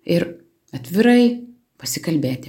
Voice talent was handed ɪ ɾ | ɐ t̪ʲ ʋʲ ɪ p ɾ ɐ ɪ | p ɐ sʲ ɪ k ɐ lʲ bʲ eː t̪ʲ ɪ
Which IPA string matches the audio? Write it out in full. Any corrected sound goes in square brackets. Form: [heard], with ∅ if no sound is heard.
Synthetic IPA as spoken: ɪ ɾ | ɐ t̪ʲ ʋʲ ɪ [∅] ɾ ɐ ɪ | p ɐ sʲ ɪ k ɐ lʲ bʲ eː t̪ʲ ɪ